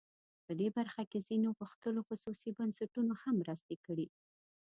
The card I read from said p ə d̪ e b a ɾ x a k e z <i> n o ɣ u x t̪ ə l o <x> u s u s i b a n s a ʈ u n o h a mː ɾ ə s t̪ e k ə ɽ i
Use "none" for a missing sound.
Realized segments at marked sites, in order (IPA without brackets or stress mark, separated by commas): i, x